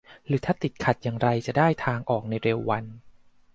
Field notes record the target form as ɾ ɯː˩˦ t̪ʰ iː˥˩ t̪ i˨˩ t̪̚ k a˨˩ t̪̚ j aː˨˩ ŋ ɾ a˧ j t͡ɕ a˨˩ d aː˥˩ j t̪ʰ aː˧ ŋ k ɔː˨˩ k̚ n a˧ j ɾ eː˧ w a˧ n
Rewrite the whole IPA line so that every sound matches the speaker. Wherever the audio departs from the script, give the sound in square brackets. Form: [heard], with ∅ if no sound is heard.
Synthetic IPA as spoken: ɾ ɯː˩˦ t̪ʰ [aː˥˩] t̪ i˨˩ t̪̚ [kʰ] a˨˩ t̪̚ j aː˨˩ ŋ ɾ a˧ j t͡ɕ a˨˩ d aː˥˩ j t̪ʰ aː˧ ŋ [ʔ] ɔː˨˩ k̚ n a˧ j ɾ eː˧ [wː] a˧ n